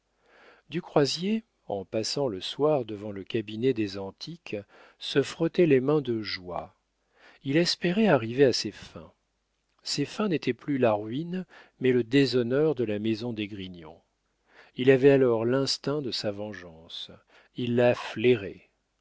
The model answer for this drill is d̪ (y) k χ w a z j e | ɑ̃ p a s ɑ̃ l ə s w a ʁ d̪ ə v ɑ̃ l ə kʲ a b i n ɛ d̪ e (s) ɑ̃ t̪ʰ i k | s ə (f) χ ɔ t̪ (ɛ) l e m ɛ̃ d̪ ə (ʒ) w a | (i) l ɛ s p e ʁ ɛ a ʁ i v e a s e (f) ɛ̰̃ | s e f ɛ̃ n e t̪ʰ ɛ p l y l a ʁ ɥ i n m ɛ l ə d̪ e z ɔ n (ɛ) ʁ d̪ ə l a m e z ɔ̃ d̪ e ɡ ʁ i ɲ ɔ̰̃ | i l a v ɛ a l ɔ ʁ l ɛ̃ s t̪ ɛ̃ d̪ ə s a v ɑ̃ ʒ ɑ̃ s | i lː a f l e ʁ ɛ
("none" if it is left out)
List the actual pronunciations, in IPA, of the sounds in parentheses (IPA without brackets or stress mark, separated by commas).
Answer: y, z, f, ɛ, ʒ, i, f, œ